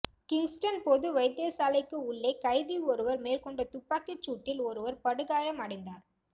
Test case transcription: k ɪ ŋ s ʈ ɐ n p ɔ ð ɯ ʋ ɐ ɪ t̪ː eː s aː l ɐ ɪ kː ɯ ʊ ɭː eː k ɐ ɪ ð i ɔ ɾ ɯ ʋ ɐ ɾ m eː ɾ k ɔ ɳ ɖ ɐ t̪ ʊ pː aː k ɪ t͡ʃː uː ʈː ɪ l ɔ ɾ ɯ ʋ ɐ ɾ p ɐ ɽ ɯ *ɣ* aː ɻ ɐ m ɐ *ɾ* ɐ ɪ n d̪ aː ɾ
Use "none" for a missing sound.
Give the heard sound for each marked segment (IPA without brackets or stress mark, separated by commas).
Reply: ɣ, ɽ